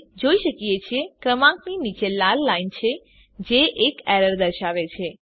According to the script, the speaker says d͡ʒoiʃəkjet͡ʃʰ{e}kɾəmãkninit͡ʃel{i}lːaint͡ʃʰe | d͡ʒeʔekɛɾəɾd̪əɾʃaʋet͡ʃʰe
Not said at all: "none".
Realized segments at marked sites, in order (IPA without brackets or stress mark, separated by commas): e, a